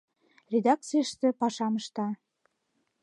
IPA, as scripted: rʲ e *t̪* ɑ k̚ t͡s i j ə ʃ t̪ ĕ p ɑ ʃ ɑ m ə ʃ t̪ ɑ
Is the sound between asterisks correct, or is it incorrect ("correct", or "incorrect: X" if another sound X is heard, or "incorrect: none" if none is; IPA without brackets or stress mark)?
incorrect: d̪